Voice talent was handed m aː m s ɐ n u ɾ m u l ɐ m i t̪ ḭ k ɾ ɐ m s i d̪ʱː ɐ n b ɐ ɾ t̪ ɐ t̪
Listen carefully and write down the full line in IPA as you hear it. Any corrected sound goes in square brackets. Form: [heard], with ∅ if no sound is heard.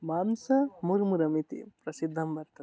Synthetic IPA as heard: m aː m s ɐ [m] u ɾ m u [ɾ] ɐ m i t̪ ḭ [p] ɾ ɐ [∅] s i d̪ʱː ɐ [m] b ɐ ɾ t̪ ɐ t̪